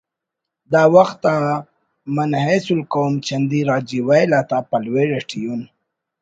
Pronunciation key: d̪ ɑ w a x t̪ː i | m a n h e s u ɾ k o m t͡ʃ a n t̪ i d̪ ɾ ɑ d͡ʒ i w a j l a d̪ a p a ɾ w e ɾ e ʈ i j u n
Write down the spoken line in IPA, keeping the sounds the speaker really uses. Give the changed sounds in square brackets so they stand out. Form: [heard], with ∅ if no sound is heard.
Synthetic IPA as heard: d̪ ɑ w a x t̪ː [a] | m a n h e s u [l] k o m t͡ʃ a n [d̪] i [∅] ɾ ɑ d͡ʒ i w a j l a [t̪] a p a [l] w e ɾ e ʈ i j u n